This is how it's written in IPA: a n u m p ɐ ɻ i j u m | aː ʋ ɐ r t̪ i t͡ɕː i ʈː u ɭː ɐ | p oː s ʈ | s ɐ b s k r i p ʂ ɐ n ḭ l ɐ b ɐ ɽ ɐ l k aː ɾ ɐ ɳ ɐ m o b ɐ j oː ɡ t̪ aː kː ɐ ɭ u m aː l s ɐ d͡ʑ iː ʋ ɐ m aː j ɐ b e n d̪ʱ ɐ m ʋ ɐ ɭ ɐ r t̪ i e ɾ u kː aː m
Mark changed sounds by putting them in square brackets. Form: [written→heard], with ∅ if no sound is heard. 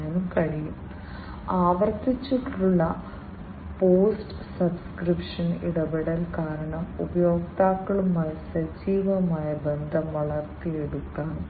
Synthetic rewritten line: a n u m [p→k] ɐ ɻ i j u m | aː ʋ ɐ r t̪ i t͡ɕː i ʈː u ɭː ɐ | p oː s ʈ | s ɐ b s k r i p ʂ ɐ n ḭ [l→ɽ] ɐ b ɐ ɽ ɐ l k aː ɾ ɐ ɳ ɐ m [o→u] b ɐ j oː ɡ t̪ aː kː ɐ ɭ u m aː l s ɐ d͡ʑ iː ʋ ɐ m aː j ɐ b e n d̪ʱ ɐ m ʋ ɐ ɭ ɐ r t̪ i e [ɾ→ɽ] u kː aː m